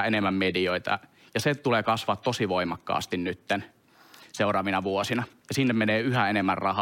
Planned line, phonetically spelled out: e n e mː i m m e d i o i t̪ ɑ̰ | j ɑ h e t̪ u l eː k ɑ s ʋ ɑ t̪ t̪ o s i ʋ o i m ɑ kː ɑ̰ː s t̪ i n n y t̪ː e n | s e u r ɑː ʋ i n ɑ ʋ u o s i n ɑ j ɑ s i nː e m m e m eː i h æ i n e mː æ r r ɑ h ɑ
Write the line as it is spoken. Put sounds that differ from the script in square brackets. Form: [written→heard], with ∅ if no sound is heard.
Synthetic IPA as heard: e n e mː [i→æ] m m e d i o i t̪ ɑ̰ | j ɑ [h→s] e t̪ u l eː k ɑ s ʋ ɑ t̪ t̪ o s i ʋ o i m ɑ kː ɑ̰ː s t̪ i n n y t̪ː e n | s e u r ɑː ʋ i n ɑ ʋ u o s i n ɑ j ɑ s i nː e m m e [m→n] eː [i→y] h æ [i→e] n e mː æ r r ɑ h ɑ